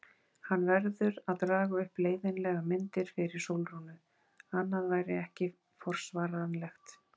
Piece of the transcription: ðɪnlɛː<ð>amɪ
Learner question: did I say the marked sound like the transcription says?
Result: no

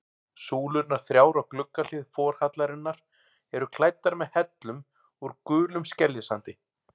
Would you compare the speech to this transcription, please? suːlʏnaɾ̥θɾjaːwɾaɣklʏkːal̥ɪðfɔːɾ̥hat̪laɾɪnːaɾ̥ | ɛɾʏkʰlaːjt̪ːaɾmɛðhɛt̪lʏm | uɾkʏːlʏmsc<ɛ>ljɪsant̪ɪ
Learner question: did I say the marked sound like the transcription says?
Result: yes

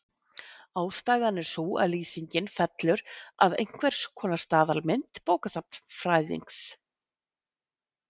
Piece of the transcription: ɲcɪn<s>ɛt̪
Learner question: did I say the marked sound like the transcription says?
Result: no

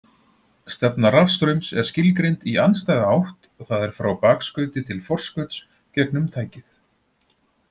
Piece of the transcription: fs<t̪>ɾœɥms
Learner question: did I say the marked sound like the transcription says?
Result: yes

